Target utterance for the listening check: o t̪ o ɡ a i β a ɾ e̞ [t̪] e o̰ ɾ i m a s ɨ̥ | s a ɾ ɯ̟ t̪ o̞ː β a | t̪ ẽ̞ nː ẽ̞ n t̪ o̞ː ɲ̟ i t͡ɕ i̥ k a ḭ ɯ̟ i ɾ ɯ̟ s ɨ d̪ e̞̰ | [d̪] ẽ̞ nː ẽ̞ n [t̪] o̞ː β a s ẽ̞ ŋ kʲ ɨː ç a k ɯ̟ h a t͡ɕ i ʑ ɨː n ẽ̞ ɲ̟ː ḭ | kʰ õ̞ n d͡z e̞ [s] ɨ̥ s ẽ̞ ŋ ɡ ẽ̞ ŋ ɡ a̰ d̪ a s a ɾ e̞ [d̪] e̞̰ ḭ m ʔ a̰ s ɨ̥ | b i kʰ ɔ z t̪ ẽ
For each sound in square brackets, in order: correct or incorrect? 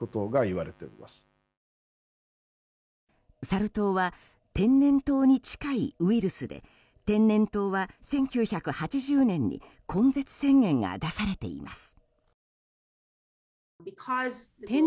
correct, incorrect: t̪, correct, incorrect: t͡s, incorrect: t̪

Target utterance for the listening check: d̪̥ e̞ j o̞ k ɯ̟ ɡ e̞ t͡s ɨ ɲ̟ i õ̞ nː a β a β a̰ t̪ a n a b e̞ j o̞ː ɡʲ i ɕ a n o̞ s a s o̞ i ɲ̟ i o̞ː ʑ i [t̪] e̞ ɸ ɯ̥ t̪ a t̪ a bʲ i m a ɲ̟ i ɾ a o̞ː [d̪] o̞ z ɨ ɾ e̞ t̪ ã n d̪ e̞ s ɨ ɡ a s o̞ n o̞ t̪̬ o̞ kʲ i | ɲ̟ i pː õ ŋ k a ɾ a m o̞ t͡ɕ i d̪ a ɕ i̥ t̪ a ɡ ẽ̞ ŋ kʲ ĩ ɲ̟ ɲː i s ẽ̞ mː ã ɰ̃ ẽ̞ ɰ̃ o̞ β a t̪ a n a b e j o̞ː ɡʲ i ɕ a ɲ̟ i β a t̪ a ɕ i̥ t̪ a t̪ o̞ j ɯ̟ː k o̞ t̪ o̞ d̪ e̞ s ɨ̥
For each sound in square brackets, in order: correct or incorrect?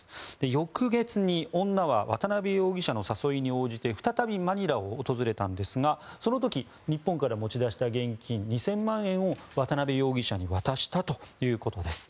correct, incorrect: t̪

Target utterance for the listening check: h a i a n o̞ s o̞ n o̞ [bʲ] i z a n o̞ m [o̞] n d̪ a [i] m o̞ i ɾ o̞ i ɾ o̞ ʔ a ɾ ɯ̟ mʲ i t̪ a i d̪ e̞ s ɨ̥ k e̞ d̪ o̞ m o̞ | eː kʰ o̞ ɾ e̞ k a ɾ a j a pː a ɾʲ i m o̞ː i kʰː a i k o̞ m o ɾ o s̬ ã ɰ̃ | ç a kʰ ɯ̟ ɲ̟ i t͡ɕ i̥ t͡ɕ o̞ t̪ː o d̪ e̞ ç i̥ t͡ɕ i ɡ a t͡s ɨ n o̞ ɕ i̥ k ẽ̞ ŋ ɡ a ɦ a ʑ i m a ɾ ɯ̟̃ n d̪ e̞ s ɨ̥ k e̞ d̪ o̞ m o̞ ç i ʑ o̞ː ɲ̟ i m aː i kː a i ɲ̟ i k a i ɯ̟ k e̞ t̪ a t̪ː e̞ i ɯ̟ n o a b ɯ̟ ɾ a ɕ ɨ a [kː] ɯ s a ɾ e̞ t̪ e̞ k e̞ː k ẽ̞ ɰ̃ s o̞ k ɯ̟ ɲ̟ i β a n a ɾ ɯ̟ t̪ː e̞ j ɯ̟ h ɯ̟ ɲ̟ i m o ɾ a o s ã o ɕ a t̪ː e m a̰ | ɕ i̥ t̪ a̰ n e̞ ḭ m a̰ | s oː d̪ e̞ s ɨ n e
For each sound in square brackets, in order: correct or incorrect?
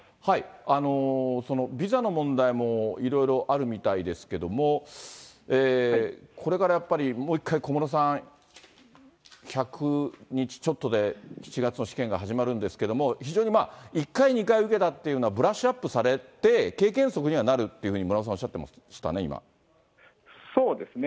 correct, incorrect: õ̞, correct, incorrect: pː

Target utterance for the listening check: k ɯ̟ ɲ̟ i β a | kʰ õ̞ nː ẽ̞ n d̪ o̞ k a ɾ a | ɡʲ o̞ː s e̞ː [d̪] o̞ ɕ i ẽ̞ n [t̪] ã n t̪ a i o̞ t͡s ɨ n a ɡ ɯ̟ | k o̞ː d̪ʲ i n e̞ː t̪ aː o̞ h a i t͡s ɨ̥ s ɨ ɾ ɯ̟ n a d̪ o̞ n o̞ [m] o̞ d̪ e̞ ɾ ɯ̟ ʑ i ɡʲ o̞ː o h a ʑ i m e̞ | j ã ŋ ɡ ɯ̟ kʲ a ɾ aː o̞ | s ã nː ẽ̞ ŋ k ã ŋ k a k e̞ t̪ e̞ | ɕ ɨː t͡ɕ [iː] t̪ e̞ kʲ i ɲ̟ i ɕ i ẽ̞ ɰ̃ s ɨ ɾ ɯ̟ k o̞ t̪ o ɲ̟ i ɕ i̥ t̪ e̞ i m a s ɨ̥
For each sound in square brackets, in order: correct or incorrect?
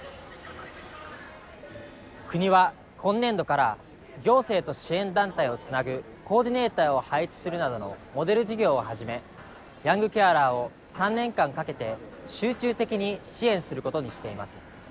incorrect: t̪, incorrect: d̪, correct, incorrect: ɨː

